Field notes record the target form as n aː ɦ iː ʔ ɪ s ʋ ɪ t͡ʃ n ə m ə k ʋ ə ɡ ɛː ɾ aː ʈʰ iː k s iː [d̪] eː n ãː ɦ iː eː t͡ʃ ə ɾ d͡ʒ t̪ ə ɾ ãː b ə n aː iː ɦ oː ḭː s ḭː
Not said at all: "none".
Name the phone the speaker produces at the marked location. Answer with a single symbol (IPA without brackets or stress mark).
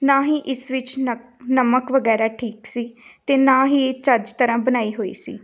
t̪